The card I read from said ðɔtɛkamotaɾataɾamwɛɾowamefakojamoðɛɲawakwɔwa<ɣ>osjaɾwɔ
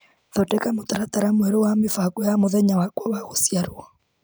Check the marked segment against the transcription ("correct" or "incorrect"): correct